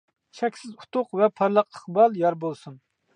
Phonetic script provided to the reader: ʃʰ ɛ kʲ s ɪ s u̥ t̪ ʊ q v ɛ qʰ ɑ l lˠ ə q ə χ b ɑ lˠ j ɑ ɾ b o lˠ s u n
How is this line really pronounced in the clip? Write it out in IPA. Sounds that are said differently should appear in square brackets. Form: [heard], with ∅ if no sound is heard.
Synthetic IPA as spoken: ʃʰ ɛ kʲ s ɪ [z] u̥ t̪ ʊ q v ɛ [pʰ] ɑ [ɾ] lˠ ə q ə χ b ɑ lˠ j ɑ ɾ b o lˠ s u n